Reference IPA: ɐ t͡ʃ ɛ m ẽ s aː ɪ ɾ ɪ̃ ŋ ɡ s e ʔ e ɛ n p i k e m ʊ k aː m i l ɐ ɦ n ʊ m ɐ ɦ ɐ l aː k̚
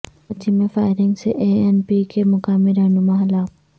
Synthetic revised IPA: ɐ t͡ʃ i m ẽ f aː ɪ ɾ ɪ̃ ŋ ɡ s e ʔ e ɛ n p i k e m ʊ k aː m i ɾ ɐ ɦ n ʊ m a ɦ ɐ l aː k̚